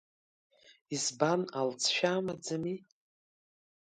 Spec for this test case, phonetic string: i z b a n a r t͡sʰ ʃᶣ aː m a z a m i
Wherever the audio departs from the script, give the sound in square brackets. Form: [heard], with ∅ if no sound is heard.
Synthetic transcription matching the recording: i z b a n a [l] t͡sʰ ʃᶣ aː m a [d͡z] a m i